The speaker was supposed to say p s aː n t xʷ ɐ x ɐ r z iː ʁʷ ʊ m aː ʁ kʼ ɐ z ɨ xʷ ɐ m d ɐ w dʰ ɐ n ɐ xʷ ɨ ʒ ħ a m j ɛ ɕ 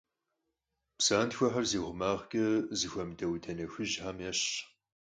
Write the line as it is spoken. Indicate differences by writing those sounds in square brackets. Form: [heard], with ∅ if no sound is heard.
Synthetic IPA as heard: p s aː n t xʷ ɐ [ħ] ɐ r z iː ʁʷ ʊ m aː ʁ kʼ ɐ z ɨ xʷ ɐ m d ɐ w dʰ ɐ n ɐ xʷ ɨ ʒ ħ a m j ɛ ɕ